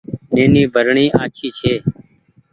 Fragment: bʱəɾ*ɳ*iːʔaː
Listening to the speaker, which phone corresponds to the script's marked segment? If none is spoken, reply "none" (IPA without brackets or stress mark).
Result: ɳ